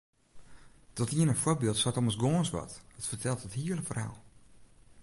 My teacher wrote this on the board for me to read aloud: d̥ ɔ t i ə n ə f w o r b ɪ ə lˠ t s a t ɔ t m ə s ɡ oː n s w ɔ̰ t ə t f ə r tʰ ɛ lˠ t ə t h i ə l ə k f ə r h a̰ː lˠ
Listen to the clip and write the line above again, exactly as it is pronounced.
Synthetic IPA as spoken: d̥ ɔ t i ə n ə f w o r b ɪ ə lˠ t s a t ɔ m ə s ɡ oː n s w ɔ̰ t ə t f ə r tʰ ɛ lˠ t ə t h i ə l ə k f ə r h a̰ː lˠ